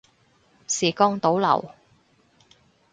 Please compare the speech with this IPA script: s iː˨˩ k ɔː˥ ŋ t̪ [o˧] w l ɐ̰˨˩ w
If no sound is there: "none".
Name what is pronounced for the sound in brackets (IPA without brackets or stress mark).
o˨˥